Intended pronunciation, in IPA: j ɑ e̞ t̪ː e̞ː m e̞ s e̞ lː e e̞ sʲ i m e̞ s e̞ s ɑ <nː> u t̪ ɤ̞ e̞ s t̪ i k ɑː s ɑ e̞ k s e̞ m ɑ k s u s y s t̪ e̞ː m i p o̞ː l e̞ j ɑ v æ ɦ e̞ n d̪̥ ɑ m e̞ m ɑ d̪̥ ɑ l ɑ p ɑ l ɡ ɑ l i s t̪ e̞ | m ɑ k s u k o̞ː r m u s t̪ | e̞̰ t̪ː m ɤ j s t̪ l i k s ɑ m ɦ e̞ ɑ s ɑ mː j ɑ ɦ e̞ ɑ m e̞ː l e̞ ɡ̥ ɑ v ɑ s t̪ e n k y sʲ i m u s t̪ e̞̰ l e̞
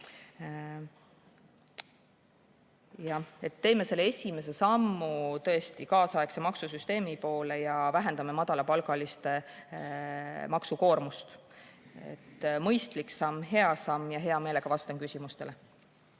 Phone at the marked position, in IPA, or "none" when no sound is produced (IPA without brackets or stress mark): mː